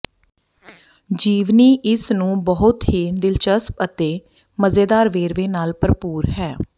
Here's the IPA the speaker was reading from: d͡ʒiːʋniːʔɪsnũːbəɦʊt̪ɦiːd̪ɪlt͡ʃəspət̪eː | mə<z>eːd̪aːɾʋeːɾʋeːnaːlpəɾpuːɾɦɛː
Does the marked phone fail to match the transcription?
no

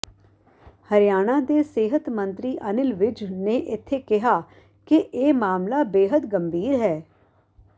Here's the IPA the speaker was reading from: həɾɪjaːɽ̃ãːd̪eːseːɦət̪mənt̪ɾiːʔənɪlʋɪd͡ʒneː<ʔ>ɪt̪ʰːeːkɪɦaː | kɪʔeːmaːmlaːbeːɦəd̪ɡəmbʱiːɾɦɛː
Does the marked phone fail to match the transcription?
no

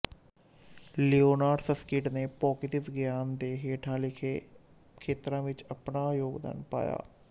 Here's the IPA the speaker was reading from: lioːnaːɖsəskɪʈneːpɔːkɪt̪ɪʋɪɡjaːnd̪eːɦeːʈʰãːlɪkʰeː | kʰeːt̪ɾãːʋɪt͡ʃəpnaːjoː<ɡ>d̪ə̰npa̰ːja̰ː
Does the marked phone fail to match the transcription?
no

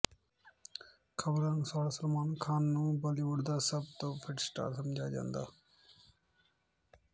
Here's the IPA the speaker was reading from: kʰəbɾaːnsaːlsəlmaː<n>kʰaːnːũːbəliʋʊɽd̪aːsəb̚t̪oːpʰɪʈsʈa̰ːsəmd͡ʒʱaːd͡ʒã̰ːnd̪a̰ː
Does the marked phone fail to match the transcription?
no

